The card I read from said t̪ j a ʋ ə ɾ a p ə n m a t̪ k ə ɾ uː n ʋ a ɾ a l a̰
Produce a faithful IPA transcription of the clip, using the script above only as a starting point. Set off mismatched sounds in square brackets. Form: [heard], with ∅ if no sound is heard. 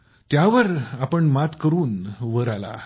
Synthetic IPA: t̪ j a ʋ ə ɾ a p ə [ɳ] m a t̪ k ə ɾ uː n ʋ [ə] ɾ a l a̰